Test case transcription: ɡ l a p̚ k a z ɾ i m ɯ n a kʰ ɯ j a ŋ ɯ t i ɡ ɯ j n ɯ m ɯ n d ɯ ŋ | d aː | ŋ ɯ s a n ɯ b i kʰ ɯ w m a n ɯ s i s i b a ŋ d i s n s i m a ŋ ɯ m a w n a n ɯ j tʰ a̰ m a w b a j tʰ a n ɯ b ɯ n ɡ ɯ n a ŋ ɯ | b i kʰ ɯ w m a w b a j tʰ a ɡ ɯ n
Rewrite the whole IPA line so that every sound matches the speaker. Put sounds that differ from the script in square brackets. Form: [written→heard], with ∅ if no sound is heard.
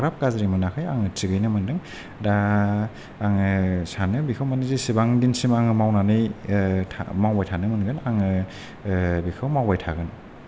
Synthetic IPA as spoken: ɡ [l→ɾ] a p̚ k a z ɾ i m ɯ n a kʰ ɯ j a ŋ ɯ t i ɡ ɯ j n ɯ m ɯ n d ɯ ŋ | d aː | ŋ ɯ s a n ɯ b i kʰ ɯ w m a n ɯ [s→z] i s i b a ŋ d i [s→∅] n s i m a ŋ ɯ m a w n a n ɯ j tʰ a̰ m a w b a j tʰ a n ɯ [b→m] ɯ n ɡ ɯ n a ŋ ɯ | b i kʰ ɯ w m a w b a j tʰ a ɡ ɯ n

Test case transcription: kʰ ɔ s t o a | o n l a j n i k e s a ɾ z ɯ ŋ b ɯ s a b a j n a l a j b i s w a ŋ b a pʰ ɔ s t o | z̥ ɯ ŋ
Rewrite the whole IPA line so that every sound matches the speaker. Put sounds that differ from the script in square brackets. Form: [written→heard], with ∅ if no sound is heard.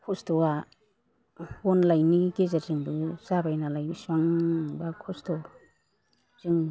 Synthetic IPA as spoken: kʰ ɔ s t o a | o n l a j n i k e [s→z] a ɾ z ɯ ŋ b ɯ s a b a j n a l a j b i s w a ŋ b a [pʰ→kʰ] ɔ s t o | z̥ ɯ ŋ

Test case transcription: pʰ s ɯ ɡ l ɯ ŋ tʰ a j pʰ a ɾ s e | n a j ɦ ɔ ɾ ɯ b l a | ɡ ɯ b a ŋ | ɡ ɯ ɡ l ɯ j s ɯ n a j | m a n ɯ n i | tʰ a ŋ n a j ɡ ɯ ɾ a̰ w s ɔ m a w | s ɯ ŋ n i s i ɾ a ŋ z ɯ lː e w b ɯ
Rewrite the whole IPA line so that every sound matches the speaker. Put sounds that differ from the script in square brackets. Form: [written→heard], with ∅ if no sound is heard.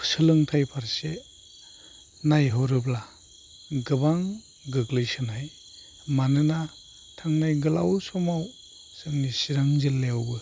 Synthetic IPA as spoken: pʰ s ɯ [ɡ→∅] l ɯ ŋ tʰ a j pʰ a ɾ s e | n a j ɦ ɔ ɾ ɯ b l a | ɡ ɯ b a ŋ | ɡ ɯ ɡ l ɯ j s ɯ n a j | m a n ɯ n [i→a] | tʰ a ŋ n a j ɡ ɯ [ɾ→l] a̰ w s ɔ m a w | s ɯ ŋ n i s i ɾ a ŋ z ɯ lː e w b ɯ

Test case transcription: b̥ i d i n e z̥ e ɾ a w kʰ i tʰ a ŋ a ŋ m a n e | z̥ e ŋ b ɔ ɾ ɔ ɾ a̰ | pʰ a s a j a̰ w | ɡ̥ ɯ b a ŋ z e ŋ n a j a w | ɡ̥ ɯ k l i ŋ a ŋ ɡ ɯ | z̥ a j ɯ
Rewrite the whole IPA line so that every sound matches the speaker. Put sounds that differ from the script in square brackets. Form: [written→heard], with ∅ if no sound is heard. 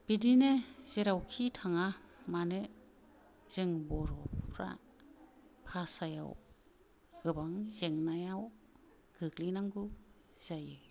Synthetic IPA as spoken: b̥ i d i n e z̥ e ɾ a w kʰ i tʰ a ŋ a [ŋ→∅] m a n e | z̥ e ŋ b ɔ ɾ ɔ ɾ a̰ | pʰ a s a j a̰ w | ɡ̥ ɯ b a ŋ z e ŋ n a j a w | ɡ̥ ɯ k l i [ŋ→n] a ŋ ɡ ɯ | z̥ a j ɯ

